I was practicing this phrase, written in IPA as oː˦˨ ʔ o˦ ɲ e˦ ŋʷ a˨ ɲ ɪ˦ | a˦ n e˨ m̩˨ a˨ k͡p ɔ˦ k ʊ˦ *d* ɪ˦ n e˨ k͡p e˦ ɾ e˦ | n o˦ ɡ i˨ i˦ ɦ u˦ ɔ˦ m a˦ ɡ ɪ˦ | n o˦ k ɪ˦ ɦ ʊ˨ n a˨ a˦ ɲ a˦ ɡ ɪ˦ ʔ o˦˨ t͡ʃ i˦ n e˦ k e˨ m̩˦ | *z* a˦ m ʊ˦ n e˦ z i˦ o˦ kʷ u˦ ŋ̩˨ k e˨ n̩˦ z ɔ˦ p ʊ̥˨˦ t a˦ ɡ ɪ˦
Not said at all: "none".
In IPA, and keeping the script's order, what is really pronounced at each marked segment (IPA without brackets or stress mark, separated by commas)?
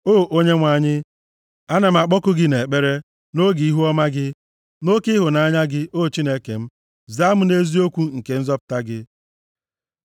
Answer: ɡ, z